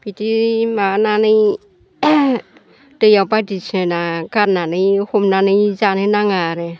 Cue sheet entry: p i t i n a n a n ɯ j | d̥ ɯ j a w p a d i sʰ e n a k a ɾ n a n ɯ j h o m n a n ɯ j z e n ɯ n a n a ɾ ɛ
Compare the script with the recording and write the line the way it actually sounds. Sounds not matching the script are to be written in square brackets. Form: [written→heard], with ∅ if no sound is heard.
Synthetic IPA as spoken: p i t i [n→m] a n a n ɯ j | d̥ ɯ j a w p a d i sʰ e n a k a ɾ n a n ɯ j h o m n a n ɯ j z [e→a] n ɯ n a [n→ŋ] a ɾ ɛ